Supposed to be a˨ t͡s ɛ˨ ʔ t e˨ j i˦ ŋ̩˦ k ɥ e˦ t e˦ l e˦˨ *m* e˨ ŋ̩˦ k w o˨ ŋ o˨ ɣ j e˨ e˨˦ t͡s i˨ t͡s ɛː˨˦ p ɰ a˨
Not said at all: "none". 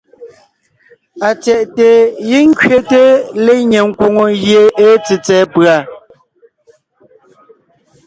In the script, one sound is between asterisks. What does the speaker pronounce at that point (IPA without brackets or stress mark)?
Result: ɲ